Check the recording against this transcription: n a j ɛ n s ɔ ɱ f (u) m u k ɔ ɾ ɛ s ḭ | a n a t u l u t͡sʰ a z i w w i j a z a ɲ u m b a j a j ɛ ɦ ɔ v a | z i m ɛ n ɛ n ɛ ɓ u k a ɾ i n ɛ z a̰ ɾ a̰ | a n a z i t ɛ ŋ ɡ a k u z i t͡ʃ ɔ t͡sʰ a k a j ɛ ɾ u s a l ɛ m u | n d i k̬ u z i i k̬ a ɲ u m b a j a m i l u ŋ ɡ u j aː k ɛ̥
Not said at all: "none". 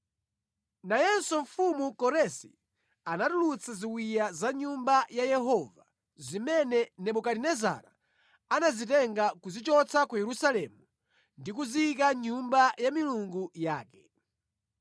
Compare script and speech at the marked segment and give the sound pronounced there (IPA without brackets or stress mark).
u